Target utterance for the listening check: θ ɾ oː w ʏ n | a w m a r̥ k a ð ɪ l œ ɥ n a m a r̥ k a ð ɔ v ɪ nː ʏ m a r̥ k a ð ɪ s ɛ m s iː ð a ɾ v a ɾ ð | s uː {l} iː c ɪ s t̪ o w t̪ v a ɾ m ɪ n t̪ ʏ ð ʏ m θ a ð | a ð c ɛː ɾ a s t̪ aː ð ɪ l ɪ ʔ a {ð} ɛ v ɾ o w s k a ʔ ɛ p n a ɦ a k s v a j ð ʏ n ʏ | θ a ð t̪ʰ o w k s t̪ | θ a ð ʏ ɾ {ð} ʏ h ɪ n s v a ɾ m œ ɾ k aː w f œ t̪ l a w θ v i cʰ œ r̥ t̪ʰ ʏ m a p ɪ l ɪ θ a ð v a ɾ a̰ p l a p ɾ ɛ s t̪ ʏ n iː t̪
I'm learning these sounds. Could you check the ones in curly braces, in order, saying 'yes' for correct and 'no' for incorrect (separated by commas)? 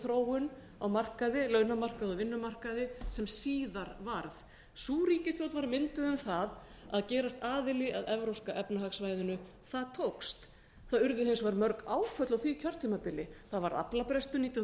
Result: no, yes, yes